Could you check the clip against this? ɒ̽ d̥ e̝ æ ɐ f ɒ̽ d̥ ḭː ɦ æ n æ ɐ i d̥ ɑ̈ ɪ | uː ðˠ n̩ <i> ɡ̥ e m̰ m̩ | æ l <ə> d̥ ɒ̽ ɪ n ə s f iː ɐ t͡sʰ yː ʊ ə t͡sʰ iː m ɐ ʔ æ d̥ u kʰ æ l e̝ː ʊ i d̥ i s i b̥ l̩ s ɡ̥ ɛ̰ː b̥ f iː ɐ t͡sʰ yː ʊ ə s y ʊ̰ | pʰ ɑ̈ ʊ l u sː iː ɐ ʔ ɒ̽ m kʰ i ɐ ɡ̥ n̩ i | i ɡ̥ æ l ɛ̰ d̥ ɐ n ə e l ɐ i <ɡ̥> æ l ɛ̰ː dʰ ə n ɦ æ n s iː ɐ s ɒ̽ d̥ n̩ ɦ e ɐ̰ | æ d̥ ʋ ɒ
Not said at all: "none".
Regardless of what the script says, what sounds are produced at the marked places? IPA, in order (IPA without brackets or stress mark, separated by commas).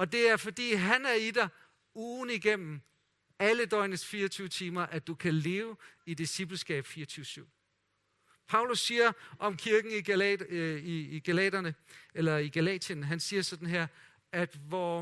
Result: i, ə, ɡ̥